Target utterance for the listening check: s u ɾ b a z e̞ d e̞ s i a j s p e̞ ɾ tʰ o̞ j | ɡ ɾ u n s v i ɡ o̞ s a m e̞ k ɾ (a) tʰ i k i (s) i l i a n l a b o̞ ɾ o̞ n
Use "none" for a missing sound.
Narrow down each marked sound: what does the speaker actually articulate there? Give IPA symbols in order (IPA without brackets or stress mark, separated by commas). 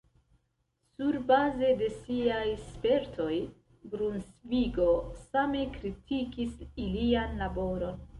i, s